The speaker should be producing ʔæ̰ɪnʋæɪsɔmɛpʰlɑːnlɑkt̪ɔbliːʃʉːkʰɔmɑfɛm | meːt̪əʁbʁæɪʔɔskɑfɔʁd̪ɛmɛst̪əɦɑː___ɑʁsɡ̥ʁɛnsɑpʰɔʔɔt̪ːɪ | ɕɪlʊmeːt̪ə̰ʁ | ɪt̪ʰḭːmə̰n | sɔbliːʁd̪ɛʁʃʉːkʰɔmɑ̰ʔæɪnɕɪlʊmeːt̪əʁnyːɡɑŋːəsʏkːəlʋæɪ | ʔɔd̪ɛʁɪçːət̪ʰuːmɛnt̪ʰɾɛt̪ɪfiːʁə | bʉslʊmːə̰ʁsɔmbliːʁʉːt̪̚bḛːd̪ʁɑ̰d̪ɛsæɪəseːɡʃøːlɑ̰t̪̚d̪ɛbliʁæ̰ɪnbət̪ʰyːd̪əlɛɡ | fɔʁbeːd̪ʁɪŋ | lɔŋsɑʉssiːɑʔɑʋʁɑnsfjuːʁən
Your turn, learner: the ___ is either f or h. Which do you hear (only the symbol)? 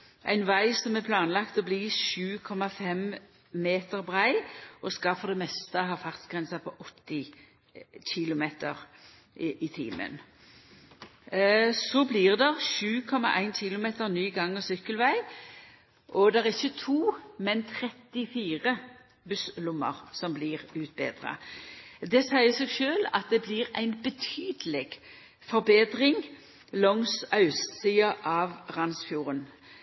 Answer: f